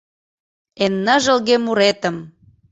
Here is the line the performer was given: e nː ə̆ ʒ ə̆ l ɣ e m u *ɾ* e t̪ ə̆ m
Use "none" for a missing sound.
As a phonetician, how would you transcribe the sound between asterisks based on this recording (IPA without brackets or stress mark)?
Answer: ɾ